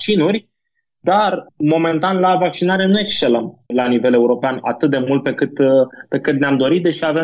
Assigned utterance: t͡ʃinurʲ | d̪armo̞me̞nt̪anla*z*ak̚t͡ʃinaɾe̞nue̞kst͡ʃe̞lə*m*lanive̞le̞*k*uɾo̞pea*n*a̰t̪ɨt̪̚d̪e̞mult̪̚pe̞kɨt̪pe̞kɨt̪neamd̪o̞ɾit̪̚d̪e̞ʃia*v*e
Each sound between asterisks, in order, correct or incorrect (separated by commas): incorrect, correct, incorrect, correct, correct